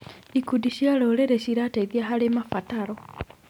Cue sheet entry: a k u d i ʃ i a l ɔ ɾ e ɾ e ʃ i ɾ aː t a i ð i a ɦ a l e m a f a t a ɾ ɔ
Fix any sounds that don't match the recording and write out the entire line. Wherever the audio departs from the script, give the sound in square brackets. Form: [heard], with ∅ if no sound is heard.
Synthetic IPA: [i] k u d i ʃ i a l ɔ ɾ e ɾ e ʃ i ɾ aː t a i ð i a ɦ a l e m a f a t a ɾ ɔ